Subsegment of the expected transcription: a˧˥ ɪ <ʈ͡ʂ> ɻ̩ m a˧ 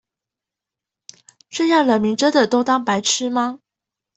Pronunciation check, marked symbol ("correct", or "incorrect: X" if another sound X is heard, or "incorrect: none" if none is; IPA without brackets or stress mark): incorrect: ʈ͡ʂʰ